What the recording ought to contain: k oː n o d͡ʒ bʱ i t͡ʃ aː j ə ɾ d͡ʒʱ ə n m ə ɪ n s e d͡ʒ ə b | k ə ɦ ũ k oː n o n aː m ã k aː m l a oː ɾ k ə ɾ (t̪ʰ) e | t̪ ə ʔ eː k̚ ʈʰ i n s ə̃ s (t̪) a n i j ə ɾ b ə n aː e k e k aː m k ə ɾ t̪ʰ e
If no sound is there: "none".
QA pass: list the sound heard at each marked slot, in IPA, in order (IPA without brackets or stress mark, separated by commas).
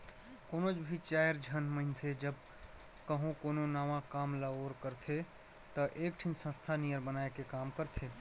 t̪ʰ, t̪ʰ